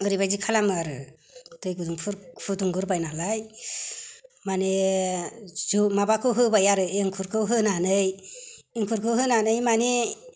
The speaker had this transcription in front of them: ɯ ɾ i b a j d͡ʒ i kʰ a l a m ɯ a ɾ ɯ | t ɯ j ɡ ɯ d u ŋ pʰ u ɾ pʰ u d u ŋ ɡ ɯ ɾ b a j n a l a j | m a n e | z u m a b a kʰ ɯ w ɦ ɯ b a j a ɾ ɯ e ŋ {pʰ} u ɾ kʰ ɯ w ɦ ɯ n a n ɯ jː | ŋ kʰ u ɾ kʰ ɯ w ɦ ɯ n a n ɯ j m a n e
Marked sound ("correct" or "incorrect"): incorrect